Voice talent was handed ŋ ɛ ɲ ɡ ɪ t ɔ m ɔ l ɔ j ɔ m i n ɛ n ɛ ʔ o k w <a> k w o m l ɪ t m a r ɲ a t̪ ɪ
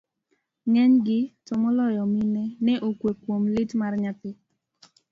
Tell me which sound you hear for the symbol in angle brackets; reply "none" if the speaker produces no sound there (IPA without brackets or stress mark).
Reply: e